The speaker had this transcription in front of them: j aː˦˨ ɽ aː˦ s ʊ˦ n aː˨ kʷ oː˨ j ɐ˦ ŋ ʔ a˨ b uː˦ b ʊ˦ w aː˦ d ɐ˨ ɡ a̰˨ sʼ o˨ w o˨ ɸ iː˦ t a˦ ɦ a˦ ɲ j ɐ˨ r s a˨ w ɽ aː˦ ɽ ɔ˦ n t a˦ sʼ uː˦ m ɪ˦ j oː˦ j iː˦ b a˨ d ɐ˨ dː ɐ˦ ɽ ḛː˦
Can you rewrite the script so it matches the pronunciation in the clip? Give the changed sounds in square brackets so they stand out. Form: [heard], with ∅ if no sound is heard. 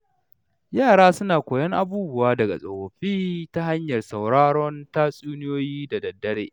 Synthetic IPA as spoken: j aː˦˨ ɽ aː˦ s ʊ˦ n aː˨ kʷ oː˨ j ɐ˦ ŋ ʔ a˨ b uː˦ b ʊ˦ w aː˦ d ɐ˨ ɡ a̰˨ sʼ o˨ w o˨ ɸ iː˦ t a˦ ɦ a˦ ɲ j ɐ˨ r s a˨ w ɽ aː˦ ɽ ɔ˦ n t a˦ sʼ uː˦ [n] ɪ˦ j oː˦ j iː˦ [d] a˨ d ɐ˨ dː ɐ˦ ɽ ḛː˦